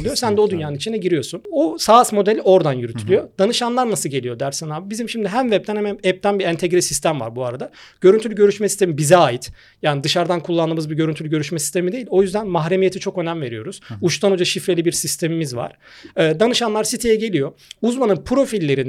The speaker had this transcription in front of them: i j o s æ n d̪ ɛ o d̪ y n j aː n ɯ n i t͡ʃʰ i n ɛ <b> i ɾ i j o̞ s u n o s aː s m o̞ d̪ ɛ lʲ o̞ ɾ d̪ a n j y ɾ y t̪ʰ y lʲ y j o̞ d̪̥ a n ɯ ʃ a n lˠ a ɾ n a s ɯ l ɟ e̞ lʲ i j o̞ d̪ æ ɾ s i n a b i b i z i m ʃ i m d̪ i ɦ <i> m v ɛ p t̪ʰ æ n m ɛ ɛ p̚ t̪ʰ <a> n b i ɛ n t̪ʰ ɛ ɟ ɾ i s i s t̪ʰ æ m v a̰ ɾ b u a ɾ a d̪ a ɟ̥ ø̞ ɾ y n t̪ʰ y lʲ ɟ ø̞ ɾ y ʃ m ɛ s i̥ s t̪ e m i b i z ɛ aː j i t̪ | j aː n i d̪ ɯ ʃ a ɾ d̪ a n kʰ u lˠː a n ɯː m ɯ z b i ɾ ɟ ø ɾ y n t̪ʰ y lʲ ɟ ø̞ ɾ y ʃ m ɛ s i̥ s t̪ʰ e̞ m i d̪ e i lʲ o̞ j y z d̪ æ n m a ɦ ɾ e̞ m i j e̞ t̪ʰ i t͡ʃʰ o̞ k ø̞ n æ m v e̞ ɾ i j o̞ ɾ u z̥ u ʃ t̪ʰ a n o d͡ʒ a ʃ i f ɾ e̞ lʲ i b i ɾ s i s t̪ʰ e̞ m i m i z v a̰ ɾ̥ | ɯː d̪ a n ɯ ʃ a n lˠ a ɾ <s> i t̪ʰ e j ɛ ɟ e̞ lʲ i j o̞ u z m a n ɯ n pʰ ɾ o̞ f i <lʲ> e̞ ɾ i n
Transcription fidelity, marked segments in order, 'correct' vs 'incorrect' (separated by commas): incorrect, incorrect, incorrect, correct, incorrect